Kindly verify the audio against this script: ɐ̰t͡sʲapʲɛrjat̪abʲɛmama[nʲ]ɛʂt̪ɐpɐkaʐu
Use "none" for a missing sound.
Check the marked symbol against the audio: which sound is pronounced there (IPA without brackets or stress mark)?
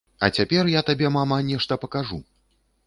nʲ